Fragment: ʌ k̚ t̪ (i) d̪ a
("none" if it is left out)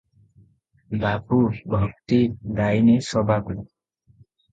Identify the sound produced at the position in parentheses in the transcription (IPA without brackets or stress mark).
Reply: i